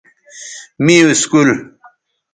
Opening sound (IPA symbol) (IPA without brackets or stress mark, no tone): m